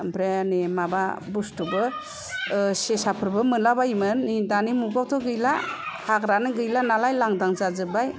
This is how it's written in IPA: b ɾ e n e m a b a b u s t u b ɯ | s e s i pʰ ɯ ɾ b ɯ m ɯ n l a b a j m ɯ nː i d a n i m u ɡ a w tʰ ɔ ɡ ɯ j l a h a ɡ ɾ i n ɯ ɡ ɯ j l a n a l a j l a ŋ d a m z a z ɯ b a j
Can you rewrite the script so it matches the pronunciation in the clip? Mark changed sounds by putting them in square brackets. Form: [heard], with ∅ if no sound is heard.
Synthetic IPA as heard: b ɾ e n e m a b a b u s t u b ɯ | s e s [a] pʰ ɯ ɾ b ɯ m ɯ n l a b a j m ɯ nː i d a n i m u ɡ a w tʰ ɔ ɡ ɯ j l a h a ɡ ɾ [a] n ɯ ɡ ɯ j l a n a l a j l a ŋ d a [ŋ] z a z ɯ b a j